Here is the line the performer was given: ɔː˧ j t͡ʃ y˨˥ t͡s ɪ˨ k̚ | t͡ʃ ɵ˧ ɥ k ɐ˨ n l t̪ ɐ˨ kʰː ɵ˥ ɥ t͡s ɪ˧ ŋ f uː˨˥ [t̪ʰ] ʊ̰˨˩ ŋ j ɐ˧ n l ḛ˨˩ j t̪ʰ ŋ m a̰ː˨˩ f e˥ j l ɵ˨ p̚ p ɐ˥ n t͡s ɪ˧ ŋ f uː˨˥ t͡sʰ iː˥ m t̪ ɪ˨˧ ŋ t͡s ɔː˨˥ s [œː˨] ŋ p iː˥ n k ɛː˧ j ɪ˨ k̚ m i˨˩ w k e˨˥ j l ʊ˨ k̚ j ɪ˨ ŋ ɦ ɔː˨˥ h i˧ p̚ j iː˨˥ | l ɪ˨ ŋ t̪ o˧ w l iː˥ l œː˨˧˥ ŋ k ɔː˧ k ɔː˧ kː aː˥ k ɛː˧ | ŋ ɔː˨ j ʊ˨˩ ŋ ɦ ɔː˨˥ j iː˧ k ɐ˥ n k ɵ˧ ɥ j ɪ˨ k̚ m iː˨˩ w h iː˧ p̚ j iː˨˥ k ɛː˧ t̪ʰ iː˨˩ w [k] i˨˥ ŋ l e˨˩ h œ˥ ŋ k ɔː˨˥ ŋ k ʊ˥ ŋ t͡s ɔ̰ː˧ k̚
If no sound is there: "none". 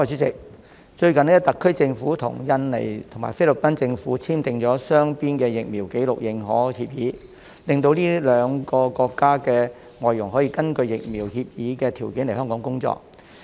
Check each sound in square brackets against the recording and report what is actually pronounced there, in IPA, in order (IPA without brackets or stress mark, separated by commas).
t̪ʰ, œː˥, k